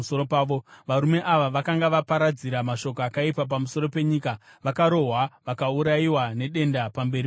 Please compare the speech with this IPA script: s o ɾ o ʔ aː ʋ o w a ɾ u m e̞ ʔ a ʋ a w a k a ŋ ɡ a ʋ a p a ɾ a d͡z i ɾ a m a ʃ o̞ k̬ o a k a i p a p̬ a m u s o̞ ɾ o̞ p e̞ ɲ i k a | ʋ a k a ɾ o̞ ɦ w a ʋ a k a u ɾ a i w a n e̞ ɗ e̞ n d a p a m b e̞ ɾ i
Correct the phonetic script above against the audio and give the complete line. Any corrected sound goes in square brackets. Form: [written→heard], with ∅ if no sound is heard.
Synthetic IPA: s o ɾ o [ʔ→p] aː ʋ o [w→ʋ] a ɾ u m e̞ ʔ a ʋ a [w→ʋ] a k a ŋ ɡ a ʋ a p a ɾ a d͡z i ɾ a m a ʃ o̞ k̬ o a k a i p a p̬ a m u s o̞ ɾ o̞ p e̞ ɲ i k a | ʋ a k a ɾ o̞ ɦ w a ʋ a k a u ɾ a i w a n e̞ ɗ e̞ n d a p a m b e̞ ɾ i